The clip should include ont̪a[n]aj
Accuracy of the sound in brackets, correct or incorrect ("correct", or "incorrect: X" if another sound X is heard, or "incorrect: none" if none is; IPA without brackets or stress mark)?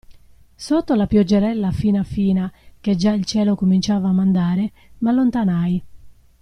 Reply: correct